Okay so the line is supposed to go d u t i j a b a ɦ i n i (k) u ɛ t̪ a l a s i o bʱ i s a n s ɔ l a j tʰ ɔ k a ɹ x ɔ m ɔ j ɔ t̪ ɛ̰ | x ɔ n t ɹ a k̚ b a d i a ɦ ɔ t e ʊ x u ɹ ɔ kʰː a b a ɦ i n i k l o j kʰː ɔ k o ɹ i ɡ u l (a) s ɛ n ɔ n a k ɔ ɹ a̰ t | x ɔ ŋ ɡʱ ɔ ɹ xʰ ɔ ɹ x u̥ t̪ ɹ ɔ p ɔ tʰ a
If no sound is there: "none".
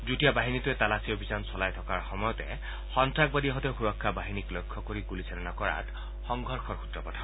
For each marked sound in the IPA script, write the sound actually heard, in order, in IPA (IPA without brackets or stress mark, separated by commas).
t, i